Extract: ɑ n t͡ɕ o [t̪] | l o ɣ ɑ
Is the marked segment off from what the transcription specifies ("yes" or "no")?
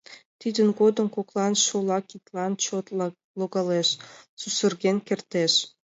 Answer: no